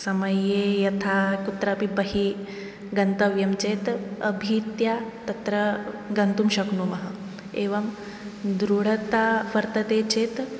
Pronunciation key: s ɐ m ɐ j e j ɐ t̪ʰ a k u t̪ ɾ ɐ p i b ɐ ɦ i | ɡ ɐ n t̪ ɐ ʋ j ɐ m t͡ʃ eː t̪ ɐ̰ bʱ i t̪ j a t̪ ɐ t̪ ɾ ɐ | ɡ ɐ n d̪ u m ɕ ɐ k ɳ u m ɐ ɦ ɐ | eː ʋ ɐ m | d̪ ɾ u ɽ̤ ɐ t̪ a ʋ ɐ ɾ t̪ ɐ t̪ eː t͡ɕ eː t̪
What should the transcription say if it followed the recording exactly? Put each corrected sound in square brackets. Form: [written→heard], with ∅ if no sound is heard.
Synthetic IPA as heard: s ɐ m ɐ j e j ɐ t̪ʰ a k u t̪ ɾ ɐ p i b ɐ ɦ i | ɡ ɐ n t̪ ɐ ʋ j ɐ m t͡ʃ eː t̪ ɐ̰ bʱ i t̪ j a t̪ ɐ t̪ ɾ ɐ | ɡ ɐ n [d̪→t̪] u m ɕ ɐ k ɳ u m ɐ ɦ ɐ | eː ʋ ɐ m | d̪ ɾ u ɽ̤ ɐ t̪ a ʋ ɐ ɾ t̪ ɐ t̪ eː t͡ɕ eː t̪